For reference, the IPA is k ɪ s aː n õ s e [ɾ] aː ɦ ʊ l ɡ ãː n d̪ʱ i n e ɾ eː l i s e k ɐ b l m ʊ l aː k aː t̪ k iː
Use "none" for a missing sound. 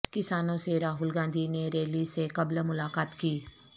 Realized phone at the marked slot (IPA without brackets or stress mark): ɾ